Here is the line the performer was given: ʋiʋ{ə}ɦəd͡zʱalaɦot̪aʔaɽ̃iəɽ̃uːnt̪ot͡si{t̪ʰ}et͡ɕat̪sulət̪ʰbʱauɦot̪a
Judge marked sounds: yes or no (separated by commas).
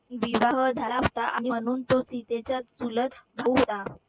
no, no